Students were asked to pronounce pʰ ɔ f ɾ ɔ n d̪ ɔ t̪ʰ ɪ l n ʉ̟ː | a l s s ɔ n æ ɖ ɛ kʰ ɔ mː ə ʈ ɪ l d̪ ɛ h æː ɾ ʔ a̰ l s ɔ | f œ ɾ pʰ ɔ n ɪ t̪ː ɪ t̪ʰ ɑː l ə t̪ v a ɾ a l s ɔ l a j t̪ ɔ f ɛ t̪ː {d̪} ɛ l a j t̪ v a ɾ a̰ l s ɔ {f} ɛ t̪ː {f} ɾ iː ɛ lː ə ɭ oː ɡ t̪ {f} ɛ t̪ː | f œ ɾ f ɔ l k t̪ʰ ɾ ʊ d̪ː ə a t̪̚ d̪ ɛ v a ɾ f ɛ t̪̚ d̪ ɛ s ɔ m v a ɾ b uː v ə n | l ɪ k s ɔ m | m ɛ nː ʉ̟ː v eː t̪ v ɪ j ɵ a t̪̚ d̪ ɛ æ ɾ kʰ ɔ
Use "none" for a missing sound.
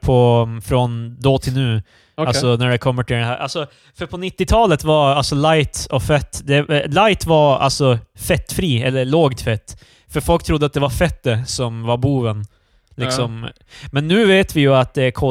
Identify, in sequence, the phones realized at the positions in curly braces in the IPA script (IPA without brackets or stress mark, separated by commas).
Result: d̪, f, f, f